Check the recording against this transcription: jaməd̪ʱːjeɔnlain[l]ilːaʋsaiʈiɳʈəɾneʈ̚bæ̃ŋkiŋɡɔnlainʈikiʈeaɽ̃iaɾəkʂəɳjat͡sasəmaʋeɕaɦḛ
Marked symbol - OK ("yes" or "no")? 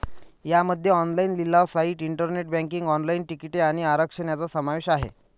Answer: yes